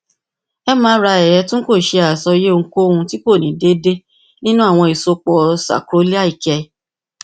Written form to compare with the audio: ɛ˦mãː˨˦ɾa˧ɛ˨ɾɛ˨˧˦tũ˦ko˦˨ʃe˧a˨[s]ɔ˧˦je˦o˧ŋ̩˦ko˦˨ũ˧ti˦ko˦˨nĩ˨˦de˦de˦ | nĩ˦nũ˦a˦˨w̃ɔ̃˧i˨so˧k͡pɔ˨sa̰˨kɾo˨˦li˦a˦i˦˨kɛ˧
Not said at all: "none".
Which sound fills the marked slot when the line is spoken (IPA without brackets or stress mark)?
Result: s